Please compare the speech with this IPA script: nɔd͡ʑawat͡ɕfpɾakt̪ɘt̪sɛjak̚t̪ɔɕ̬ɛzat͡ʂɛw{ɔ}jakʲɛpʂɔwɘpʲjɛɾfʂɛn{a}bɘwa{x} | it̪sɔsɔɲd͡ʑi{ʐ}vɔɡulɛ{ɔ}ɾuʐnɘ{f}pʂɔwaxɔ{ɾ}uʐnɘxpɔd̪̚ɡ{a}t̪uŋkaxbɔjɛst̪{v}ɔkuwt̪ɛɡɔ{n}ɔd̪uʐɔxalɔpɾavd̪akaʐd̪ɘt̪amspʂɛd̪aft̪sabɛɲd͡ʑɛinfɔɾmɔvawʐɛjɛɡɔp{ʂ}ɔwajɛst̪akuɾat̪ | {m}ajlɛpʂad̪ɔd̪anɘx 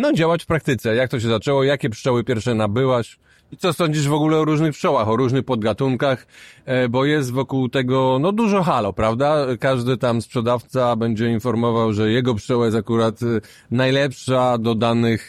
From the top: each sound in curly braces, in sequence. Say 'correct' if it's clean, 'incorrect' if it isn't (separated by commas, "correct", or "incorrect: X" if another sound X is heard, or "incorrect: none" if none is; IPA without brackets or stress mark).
correct, correct, incorrect: ɕ, correct, correct, incorrect: x, correct, correct, correct, correct, correct, incorrect: n